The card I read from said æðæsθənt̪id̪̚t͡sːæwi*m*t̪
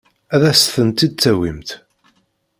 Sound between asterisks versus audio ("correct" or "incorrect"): correct